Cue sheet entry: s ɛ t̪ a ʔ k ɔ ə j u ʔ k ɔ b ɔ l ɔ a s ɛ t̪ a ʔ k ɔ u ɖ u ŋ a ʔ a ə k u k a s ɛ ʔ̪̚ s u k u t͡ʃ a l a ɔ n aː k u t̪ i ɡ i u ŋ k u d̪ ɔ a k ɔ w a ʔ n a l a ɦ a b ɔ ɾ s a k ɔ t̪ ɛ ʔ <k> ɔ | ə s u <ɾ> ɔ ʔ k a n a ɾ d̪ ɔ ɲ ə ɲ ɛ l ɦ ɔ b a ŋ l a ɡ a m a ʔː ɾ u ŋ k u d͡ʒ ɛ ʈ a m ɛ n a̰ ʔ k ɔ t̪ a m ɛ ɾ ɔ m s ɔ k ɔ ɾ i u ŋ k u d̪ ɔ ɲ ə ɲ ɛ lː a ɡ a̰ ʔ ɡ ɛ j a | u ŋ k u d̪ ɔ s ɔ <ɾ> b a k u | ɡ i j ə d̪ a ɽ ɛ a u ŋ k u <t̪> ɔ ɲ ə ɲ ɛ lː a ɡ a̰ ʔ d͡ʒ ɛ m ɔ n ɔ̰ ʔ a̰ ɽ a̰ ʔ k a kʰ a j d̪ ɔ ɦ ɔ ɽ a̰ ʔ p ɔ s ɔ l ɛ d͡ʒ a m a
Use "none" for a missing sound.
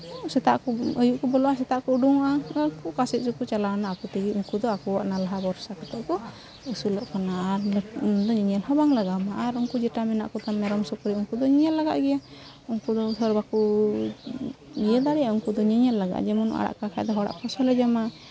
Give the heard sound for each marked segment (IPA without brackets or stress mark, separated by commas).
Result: k, l, ɾ, d̪